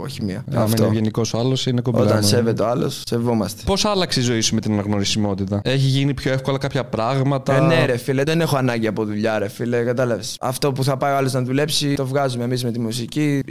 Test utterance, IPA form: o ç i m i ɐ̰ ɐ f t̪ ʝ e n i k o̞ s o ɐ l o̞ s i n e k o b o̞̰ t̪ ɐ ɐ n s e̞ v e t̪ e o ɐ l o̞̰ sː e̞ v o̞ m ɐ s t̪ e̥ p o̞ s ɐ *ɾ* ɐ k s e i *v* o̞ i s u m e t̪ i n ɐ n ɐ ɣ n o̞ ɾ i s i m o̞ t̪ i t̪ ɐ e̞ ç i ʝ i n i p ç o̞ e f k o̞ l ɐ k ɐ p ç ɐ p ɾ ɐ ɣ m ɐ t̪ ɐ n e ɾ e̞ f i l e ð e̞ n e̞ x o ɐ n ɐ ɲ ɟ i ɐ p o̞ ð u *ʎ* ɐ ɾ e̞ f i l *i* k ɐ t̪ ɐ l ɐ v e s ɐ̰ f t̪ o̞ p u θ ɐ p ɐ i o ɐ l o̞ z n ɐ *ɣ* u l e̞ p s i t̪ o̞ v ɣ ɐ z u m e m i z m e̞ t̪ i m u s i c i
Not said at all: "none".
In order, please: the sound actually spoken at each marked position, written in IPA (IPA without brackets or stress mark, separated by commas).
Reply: l, z, ʎ, e, ð